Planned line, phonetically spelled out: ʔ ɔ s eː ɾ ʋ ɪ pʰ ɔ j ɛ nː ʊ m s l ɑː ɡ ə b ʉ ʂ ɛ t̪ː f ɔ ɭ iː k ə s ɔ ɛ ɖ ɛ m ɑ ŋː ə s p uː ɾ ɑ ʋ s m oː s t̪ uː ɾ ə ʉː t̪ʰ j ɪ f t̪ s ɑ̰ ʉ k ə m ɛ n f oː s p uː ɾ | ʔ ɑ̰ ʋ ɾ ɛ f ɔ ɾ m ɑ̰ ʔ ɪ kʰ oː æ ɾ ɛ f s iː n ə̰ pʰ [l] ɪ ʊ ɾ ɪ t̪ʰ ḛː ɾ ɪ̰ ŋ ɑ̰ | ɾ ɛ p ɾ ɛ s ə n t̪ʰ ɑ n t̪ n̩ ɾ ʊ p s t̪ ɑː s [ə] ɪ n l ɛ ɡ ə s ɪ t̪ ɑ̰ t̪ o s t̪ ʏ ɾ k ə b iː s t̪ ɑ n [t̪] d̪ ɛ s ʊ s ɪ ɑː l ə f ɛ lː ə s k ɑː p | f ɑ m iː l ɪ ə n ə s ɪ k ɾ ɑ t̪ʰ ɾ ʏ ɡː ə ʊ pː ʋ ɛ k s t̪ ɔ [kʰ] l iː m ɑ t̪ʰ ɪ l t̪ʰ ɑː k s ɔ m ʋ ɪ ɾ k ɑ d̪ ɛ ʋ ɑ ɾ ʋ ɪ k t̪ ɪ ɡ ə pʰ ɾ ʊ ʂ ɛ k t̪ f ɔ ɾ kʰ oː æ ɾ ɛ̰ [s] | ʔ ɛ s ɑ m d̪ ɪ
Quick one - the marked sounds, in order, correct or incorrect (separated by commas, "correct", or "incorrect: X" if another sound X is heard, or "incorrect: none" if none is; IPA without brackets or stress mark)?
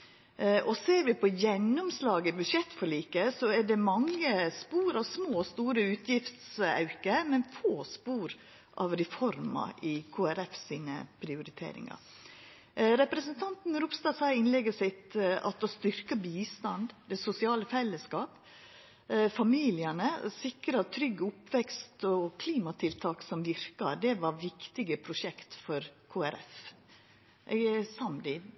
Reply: incorrect: ɾ, incorrect: ɑ, incorrect: d̪, correct, incorrect: f